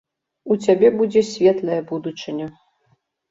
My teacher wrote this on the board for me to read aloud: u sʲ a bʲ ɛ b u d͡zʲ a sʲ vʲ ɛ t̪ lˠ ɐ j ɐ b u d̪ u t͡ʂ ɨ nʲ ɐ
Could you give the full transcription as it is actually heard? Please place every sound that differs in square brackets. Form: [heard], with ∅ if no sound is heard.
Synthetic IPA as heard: u [t͡sʲ] a bʲ ɛ b u d͡zʲ [ɛ] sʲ vʲ ɛ t̪ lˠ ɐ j ɐ b u d̪ u t͡ʂ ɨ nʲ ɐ